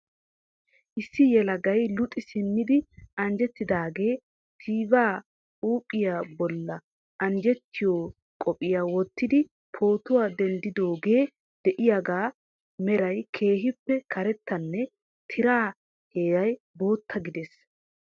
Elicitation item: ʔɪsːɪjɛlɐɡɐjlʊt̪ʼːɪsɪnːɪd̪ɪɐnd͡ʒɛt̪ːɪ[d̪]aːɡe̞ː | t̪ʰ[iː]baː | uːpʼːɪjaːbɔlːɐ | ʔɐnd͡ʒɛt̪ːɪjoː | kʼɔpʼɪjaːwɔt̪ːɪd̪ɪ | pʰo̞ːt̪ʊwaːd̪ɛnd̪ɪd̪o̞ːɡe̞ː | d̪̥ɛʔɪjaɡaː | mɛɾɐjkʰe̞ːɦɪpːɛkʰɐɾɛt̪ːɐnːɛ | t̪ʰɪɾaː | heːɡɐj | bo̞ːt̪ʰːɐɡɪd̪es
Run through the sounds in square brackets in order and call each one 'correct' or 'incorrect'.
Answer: correct, correct

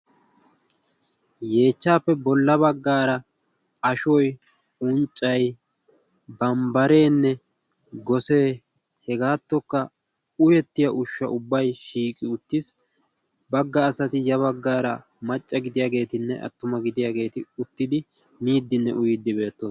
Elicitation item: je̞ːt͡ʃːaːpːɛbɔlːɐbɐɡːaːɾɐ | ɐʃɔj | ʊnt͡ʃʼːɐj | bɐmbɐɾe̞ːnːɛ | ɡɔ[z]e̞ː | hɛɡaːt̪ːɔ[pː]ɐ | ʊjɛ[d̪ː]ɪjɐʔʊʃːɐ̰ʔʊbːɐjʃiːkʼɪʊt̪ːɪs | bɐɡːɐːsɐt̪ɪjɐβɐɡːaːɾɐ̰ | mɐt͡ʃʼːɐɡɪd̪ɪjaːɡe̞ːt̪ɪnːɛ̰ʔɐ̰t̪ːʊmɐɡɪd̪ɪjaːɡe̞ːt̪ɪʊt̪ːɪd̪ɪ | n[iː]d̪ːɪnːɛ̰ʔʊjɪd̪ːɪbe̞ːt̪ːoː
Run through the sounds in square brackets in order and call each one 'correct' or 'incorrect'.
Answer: incorrect, incorrect, incorrect, correct

